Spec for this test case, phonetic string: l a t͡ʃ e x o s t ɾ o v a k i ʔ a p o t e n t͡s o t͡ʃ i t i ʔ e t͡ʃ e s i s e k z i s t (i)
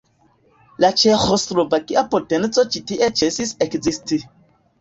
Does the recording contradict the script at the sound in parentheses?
no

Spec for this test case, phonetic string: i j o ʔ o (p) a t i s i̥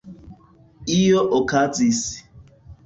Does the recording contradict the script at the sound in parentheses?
yes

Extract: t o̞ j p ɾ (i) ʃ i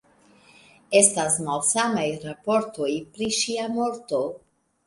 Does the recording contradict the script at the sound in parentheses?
no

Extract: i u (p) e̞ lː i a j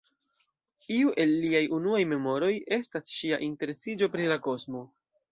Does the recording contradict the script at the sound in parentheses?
yes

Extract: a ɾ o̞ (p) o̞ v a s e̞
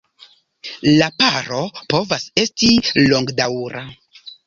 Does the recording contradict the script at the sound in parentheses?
no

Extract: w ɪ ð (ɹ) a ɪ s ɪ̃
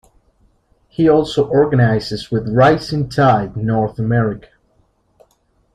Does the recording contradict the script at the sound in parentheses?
no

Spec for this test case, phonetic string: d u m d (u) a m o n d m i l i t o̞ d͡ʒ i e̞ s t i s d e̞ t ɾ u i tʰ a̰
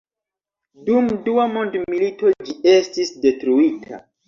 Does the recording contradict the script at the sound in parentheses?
no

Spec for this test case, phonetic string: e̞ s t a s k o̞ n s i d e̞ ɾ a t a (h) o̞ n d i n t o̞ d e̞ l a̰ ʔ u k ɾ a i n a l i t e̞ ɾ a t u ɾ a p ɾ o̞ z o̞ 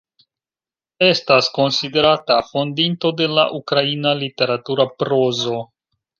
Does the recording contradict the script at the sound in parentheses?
yes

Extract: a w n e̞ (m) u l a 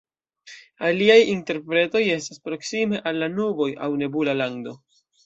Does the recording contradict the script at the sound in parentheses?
yes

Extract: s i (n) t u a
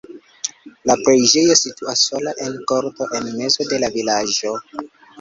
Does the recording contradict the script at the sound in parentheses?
yes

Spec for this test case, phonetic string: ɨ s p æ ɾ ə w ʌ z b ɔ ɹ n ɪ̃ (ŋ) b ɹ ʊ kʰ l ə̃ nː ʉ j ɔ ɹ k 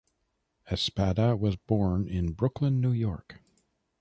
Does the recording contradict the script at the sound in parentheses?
yes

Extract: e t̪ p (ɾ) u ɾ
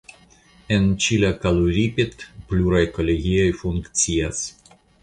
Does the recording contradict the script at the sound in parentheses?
yes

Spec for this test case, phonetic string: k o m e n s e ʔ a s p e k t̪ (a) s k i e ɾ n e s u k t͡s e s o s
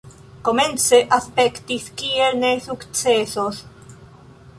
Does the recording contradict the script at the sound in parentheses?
yes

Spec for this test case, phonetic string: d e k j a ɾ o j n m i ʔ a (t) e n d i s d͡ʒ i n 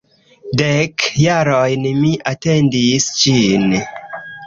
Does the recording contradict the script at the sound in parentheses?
no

